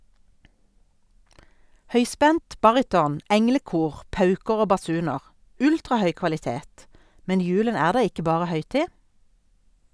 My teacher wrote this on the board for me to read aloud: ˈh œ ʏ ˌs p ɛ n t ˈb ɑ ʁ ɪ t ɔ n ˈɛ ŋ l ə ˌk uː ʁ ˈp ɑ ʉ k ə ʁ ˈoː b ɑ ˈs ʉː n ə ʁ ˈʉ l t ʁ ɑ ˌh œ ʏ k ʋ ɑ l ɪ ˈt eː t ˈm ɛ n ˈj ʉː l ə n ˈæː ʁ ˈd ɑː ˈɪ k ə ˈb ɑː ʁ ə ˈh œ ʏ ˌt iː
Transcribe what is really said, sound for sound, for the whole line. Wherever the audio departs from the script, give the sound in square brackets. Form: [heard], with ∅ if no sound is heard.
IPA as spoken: ˈh œ ʏ ˌs p ɛ n t ˈb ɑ ʁ ɪ t ɔ n ˈɛ ŋ l ə ˌk uː ʁ ˈp ɑ ʉ k ə ʁ ˈoː b ɑ ˈs ʉː n ə ʁ ˈʉ l t ʁ ɑ ˌh œ ʏ k ʋ ɑ l ɪ ˈt eː t ˈm ɛ n ˈj ʉː l ə n ˈæː ʁ ˈd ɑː ˈɪ k ə ˈb ɑː ʁ ə ˈh œ ʏ ˌt iː

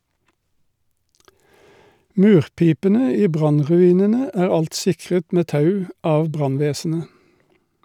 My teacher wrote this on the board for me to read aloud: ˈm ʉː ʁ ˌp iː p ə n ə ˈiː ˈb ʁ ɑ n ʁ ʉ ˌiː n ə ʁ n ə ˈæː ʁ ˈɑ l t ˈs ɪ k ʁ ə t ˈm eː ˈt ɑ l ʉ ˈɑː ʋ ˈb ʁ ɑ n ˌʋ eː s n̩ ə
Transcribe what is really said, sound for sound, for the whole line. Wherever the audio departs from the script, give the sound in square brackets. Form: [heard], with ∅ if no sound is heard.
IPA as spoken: ˈm ʉː ʁ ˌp iː p ə n ə ˈiː ˈb ʁ ɑ n ʁ ʉ ˌiː n ə [∅] n ə ˈæː ʁ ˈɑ l t ˈs ɪ k ʁ ə t ˈm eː ˈt ɑ [∅] ʉ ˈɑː ʋ ˈb ʁ ɑ n ˌʋ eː s n̩ ə

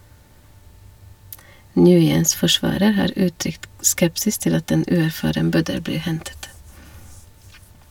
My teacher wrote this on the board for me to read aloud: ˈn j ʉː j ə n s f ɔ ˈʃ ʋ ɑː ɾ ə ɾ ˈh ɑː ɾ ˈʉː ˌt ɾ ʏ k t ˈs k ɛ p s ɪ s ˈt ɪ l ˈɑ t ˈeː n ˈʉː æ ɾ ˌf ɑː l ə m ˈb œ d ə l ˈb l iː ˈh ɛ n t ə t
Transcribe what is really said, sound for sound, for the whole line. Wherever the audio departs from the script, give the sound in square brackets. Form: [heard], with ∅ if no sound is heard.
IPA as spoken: ˈn j ʉː j ə n s f ɔ ˈʃ ʋ ɑː ɾ ə ɾ ˈh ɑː ɾ ˈʉː ˌt ɾ ʏ k t ˈs k ɛ p s ɪ s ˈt ɪ l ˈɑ t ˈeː n ˈʉː æ ɾ ˌf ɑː [ɾ] ə m ˈb œ d ə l ˈb l iː ˈh ɛ n t ə t

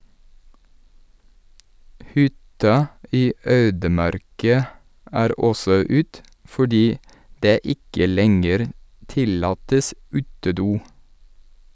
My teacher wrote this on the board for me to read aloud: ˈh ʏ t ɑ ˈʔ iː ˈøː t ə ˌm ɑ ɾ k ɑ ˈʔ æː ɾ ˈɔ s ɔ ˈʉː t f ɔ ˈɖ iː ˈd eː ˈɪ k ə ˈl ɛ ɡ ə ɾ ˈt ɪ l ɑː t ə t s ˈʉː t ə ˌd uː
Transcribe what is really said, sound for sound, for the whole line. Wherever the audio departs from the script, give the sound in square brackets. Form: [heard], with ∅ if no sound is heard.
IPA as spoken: ˈh ʏ t ɑ ˈʔ iː ˈøː [d] ə ˌm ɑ ɾ k ɑ ˈʔ æː ɾ ˈɔ s ɔ ˈʉː t f ɔ ˈɖ iː ˈd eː ˈɪ k ə ˈl ɛ [ŋ] ə ɾ ˈt ɪ l ɑː t ə [∅] s ˈʉː t ə ˌd uː

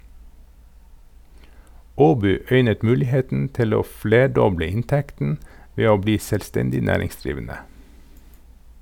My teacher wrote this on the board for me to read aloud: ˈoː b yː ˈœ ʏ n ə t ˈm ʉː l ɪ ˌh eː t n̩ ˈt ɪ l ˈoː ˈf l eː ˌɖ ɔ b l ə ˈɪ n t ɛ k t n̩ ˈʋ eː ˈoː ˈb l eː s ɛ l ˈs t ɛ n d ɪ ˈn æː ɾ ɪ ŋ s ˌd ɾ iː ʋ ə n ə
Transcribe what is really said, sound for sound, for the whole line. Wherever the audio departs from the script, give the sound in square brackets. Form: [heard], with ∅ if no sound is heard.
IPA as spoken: ˈoː b yː ˈœ ʏ n ə t ˈm ʉː l ɪ ˌh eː t n̩ ˈt ɪ l ˈoː ˈf l eː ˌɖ ɔ b l ə ˈɪ n t ɛ k t n̩ ˈʋ eː ˈoː ˈb l [iː] s ɛ l ˈs t ɛ n d ɪ ˈn æː ɾ ɪ ŋ s ˌd ɾ iː ʋ ə n ə

